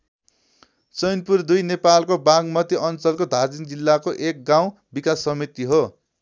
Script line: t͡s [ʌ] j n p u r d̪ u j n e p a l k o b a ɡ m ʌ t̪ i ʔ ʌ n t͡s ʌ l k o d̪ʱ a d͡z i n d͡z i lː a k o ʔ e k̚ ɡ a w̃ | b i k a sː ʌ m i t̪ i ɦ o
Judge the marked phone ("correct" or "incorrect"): correct